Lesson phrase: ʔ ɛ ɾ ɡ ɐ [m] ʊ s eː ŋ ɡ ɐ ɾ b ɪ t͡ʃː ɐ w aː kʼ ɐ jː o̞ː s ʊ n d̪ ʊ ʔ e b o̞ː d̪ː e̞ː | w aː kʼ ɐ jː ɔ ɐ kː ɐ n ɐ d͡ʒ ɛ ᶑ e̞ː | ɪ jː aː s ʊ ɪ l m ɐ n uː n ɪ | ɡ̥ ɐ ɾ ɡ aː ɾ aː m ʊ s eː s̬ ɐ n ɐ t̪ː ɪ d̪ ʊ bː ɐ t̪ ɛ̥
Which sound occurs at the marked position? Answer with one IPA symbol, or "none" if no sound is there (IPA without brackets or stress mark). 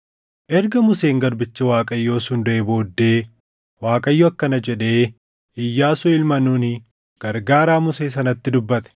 m